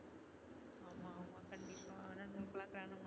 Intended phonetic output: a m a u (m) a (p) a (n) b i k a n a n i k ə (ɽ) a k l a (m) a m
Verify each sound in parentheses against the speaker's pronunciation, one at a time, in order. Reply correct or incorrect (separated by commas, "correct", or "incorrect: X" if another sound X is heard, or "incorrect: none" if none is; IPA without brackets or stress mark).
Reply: correct, incorrect: k, correct, incorrect: l, incorrect: n